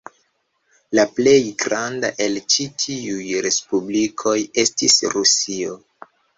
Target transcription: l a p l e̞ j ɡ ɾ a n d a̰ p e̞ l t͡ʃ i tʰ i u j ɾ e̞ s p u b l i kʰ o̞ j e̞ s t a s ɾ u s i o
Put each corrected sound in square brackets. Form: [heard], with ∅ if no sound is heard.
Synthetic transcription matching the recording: l a p l e̞ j ɡ ɾ a n d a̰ [ʔ] e̞ l t͡ʃ i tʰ i u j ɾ e̞ s p u b l i kʰ o̞ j e̞ s t [i] s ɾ u s i o